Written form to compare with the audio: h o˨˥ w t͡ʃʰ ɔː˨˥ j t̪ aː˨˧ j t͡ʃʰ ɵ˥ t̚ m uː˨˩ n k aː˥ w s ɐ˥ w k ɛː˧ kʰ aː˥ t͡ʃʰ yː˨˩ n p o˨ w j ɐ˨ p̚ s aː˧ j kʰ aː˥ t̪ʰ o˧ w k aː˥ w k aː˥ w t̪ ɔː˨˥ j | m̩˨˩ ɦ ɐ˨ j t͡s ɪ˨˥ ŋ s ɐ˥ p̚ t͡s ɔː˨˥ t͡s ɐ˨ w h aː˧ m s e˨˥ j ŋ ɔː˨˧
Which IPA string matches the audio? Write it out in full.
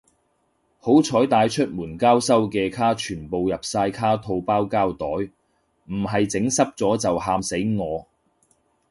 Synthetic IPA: h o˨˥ w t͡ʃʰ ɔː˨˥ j t̪ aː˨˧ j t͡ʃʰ ɵ˥ t̚ m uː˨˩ n k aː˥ w s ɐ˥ w k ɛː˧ kʰ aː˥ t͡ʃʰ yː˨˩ n p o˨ w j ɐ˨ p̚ s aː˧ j kʰ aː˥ t̪ʰ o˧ w p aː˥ w k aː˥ w t̪ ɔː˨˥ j | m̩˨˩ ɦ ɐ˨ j t͡s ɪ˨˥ ŋ s ɐ˥ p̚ t͡s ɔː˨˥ t͡s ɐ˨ w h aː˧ m s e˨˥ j ŋ ɔː˨˧

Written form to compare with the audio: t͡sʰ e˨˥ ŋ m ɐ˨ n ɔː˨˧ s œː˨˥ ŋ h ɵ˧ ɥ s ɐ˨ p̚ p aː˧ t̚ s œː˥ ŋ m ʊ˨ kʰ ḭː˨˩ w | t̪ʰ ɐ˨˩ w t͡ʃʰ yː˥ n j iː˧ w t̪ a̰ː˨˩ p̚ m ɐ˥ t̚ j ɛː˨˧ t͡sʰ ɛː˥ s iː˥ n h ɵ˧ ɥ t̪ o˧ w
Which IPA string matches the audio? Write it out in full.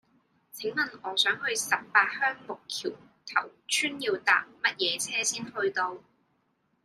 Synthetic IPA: t͡sʰ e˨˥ ŋ m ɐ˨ n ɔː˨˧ s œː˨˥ ŋ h ɵ˧ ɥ s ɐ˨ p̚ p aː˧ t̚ h œː˥ ŋ m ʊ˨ kʰ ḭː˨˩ w | t̪ʰ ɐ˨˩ w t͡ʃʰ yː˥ n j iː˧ w t̪ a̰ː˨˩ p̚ m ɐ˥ t̚ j ɛː˨˧ t͡sʰ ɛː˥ s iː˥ n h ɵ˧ ɥ t̪ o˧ w

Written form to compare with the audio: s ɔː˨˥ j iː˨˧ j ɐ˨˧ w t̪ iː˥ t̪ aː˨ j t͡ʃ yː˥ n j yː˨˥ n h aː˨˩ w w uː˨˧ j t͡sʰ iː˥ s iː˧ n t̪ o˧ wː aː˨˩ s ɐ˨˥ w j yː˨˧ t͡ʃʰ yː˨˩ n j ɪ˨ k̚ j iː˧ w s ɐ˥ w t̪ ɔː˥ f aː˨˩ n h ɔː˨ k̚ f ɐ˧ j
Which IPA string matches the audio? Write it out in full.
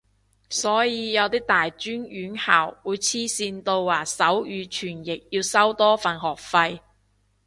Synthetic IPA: s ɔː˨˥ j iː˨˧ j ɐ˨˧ w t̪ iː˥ t̪ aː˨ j t͡ʃ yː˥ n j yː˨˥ n h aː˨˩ w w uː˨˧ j t͡sʰ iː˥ s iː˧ n t̪ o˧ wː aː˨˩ s ɐ˨˥ w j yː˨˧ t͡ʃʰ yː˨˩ n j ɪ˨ k̚ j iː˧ w s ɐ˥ w t̪ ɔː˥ f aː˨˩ n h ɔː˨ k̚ f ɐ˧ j

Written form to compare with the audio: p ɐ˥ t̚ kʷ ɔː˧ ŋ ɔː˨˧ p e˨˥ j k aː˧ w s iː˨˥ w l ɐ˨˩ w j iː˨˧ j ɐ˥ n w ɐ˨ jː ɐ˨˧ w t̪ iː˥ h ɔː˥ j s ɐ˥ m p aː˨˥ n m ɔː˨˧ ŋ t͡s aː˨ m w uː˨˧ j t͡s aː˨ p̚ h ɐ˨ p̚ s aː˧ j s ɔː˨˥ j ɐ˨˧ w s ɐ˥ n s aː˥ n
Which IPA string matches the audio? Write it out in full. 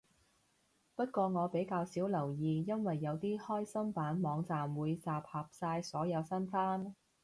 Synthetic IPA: p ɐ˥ t̚ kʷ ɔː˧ ŋ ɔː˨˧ p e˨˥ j k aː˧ w s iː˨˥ w l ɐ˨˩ w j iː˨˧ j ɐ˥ n w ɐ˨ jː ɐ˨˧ w t̪ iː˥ h ɔː˥ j s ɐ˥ m p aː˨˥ n m ɔː˨˧ ŋ t͡s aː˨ m w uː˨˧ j t͡s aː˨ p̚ h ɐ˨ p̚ s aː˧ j s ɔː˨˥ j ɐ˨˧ w s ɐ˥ n f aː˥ n

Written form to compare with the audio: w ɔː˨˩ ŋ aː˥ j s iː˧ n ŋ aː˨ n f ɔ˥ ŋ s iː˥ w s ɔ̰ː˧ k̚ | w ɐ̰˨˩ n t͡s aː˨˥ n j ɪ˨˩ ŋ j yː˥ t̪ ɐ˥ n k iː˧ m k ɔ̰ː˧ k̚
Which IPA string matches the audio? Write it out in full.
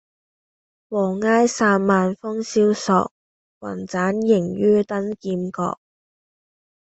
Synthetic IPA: w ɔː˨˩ ŋ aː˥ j s aː˧ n m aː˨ n f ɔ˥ ŋ s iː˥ w s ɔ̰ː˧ k̚ | w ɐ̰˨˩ n t͡s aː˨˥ n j ɪ˨˩ ŋ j yː˥ t̪ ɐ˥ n k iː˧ m k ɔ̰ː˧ k̚

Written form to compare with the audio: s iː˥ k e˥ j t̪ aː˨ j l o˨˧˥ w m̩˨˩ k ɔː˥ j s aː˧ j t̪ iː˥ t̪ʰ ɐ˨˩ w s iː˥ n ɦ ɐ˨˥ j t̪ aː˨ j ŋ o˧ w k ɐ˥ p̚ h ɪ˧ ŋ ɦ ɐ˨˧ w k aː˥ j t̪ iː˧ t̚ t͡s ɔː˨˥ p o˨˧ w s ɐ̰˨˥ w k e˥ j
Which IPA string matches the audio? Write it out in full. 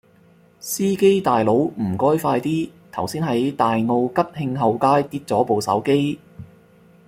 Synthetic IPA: s iː˥ k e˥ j t̪ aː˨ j l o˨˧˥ w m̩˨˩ k ɔː˥ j f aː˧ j t̪ iː˥ t̪ʰ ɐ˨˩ w s iː˥ n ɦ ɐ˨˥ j t̪ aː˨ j ŋ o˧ w k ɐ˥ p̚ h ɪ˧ ŋ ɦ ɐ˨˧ w k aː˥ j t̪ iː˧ t̚ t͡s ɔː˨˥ p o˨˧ w s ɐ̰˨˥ w k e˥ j

